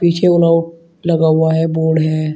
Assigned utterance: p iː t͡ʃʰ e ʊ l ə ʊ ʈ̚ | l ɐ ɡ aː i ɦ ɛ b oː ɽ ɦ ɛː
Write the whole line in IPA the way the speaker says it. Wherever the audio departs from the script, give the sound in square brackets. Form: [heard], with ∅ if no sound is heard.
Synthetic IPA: p iː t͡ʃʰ e ʊ l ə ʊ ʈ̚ | l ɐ ɡ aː [a] ɦ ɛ b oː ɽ ɦ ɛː